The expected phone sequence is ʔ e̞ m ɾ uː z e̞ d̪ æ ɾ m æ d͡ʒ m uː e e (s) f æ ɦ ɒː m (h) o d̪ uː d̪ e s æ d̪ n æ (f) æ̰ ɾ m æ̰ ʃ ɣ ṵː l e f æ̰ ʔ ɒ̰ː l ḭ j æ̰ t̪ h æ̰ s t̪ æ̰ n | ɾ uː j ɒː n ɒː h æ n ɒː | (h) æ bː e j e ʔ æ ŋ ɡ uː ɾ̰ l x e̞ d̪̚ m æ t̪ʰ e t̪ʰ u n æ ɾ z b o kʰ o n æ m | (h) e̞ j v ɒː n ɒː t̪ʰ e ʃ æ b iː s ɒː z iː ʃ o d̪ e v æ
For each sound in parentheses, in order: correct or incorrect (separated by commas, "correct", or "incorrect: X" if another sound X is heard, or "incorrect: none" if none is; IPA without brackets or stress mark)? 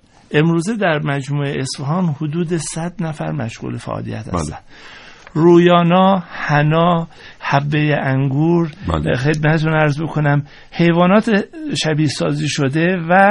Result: correct, correct, correct, correct, correct